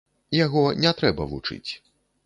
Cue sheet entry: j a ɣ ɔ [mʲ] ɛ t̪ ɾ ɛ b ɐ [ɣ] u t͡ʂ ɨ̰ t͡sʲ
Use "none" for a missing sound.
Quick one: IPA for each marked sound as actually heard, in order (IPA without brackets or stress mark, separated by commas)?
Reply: nʲ, v